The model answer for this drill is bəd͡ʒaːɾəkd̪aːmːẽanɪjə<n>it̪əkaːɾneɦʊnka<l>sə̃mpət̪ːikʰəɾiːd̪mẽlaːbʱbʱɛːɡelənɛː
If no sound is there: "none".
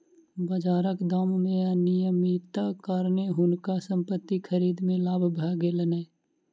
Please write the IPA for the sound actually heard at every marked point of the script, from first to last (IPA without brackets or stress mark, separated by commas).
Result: m, none